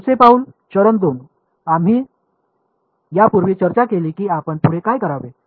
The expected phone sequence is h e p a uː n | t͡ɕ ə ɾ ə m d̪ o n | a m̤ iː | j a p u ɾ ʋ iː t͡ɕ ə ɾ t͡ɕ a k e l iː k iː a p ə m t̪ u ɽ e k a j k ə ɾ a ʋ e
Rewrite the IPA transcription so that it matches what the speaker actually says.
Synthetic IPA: s e p a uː n | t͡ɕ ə ɾ ə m d̪ o n | a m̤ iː | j a p u ɾ ʋ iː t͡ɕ ə ɾ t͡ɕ a k e l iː k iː a p ə ɳ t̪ u ɽ e k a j k ə ɾ a ʋ e